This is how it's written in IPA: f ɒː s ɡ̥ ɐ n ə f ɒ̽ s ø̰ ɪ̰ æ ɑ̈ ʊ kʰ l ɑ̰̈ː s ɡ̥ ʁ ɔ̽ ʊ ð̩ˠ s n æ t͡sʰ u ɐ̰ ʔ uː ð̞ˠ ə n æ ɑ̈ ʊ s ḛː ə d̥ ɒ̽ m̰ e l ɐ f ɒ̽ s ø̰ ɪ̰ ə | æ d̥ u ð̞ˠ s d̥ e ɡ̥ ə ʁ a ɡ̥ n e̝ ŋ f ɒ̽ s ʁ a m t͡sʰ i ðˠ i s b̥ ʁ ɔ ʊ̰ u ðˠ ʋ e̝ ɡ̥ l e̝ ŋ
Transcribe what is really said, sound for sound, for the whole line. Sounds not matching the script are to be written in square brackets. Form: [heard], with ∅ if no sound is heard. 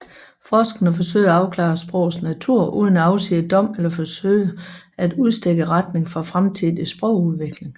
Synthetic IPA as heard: f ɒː s ɡ̥ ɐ n ə f ɒ̽ s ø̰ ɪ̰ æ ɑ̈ ʊ kʰ l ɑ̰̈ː s [b̥] ʁ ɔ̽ ʊ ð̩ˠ s n æ t͡sʰ u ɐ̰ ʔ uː ð̞ˠ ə n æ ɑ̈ ʊ s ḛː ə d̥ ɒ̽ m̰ e l ɐ f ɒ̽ s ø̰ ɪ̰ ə | æ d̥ u ð̞ˠ s d̥ e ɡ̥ ə ʁ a [d̥] n e̝ ŋ f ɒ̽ [f] ʁ a m t͡sʰ i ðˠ i s b̥ ʁ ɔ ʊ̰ u ðˠ ʋ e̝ ɡ̥ l e̝ ŋ